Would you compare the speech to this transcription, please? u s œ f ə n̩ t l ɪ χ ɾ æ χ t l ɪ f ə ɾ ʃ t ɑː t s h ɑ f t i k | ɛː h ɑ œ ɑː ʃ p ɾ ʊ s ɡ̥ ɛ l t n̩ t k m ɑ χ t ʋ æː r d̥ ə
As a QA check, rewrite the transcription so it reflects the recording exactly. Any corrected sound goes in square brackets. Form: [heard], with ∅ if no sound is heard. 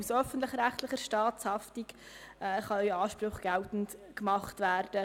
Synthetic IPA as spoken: u s œ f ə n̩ t l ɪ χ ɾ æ χ t l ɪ [χ] ə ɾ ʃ t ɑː t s h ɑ f t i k | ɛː [χ] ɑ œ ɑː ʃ p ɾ ʊ [χ] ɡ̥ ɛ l t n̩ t k m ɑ χ t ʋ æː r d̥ ə